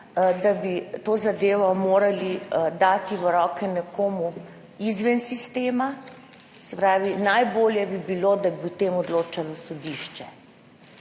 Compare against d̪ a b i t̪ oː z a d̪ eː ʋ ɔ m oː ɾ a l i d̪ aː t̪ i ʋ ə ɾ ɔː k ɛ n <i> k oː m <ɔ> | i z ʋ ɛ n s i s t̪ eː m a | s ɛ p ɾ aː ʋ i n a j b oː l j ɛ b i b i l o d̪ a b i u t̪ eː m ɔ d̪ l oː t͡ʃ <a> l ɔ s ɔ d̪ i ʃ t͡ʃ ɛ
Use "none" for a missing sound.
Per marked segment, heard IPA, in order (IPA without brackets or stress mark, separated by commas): ɛ, u, a